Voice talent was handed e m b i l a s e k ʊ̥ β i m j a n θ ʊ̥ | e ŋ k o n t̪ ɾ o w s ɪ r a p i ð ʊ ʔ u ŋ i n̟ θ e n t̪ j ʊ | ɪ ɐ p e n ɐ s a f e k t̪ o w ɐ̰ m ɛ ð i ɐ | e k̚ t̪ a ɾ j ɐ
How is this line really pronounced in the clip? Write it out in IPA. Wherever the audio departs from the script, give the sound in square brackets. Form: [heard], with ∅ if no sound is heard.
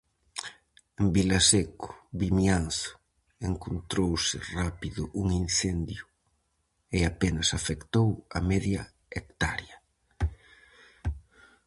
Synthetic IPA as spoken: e m b i l a s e k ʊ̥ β i m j a n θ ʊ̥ | e ŋ k o n t̪ ɾ o w s ɪ r a p i ð ʊ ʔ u ŋ i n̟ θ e n [d̪] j ʊ | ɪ [a] p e n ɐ s a f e k t̪ o w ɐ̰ m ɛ ð [j] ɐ | e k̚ t̪ a ɾ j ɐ